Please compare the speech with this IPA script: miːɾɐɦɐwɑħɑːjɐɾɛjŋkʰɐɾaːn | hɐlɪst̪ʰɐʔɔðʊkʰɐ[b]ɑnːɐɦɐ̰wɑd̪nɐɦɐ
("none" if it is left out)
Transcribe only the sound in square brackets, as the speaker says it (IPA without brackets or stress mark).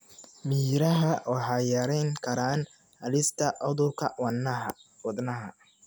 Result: w